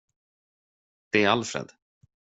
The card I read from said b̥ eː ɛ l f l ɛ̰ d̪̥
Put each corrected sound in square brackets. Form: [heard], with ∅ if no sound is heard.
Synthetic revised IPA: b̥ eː [a] l f [ɾ] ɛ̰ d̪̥